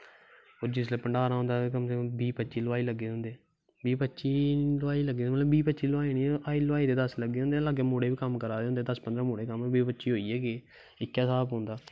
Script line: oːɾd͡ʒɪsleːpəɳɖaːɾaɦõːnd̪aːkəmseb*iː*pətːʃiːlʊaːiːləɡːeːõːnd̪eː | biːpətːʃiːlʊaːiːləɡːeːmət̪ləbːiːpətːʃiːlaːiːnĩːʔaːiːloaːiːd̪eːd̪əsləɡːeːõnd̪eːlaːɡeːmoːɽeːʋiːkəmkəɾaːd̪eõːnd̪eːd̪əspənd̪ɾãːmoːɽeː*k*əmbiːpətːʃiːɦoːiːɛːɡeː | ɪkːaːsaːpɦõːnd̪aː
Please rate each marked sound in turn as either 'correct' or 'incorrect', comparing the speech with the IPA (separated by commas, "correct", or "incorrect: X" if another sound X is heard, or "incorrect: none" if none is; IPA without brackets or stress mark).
correct, correct